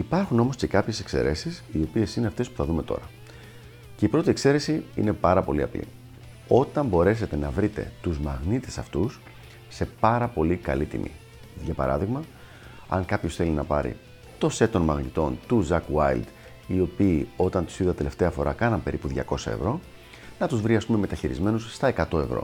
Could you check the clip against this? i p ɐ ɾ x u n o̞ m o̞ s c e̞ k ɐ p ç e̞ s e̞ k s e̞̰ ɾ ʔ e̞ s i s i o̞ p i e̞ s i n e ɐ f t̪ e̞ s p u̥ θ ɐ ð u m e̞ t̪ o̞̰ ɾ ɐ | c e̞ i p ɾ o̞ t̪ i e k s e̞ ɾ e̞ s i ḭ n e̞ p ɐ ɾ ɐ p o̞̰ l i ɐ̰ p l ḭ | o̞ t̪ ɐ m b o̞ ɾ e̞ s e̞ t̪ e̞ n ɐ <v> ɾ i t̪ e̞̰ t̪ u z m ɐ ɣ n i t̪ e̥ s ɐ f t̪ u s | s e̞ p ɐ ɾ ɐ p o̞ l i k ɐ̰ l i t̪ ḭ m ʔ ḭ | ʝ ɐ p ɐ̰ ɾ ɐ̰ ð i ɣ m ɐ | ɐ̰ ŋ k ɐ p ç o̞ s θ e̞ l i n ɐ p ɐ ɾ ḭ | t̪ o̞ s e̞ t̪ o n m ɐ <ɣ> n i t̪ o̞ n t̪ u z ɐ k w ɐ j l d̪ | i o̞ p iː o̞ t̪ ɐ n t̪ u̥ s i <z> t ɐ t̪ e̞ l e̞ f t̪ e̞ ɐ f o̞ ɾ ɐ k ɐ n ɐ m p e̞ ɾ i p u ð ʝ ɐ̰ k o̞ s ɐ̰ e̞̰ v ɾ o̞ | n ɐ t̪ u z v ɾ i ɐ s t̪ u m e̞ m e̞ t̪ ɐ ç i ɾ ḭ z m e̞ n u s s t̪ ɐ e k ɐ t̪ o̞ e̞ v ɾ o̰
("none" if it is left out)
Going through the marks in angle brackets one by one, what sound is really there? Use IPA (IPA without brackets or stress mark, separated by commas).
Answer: v, ɣ, ð